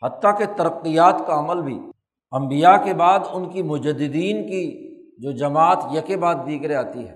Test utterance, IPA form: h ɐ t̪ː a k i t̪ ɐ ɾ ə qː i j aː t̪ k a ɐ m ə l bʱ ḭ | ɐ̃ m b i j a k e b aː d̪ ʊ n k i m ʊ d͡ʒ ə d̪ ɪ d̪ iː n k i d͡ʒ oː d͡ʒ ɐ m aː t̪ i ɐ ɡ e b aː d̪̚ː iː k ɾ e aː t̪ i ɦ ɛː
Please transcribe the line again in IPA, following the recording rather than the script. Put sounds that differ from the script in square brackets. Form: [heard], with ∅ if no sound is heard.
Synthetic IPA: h ɐ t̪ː a k [e] t̪ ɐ ɾ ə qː i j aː t̪ k a ɐ m ə l bʱ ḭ | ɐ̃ m b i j a k e b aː d̪ ʊ n k i m ʊ d͡ʒ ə d̪ ɪ d̪ iː n k i d͡ʒ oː d͡ʒ ɐ m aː t̪ [j] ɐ [k] e b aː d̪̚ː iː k ɾ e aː t̪ i ɦ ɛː